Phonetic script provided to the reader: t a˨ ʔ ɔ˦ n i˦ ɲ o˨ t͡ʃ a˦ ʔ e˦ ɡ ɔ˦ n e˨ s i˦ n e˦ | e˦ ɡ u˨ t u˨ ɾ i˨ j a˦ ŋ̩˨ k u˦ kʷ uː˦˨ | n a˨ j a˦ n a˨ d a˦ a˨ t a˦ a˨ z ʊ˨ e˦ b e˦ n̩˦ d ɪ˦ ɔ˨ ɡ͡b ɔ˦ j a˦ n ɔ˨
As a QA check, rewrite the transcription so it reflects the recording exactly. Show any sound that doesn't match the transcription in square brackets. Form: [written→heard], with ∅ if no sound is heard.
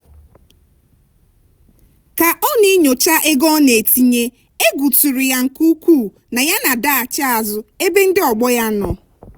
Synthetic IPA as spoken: [t→k] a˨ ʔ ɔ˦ n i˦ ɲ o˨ t͡ʃ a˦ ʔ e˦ ɡ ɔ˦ n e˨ [s→t] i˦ [n→ɲ] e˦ | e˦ ɡ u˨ t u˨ ɾ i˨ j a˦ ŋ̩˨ k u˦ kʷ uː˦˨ | n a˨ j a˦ n a˨ d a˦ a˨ [t→t͡ʃ] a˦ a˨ z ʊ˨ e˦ b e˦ n̩˦ d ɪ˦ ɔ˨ ɡ͡b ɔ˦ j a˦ n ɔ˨